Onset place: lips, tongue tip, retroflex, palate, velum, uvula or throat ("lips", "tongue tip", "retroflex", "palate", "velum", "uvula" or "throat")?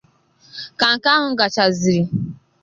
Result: velum